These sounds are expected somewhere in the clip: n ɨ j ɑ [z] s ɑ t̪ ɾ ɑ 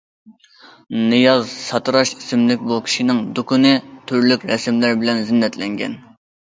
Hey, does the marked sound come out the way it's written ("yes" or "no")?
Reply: yes